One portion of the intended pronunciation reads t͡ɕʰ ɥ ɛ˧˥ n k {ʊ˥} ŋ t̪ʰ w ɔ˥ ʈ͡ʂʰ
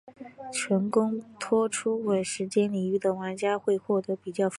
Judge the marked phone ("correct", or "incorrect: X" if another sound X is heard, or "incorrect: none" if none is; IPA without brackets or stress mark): correct